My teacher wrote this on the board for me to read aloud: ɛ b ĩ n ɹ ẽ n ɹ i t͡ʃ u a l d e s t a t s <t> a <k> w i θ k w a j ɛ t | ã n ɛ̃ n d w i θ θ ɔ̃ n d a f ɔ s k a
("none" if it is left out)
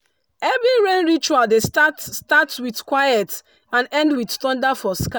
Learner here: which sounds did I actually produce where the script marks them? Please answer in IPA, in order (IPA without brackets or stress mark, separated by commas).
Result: t, t